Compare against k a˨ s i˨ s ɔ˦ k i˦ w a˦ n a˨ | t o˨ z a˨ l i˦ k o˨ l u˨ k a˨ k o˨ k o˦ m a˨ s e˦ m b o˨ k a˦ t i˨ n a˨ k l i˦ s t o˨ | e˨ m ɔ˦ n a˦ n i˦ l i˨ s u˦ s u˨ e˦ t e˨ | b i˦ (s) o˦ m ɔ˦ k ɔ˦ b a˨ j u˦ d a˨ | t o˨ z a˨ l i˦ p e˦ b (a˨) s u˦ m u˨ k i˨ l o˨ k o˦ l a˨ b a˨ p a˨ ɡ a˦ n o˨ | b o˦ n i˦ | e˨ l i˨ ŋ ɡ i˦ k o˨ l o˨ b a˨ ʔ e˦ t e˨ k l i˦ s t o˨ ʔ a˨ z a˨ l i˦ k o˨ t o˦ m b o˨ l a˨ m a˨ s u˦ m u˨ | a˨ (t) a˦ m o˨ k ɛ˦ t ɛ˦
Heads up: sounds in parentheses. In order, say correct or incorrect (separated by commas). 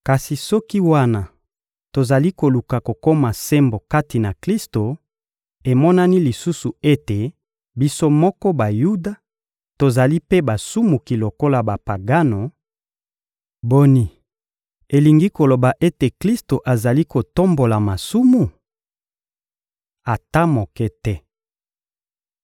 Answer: correct, correct, correct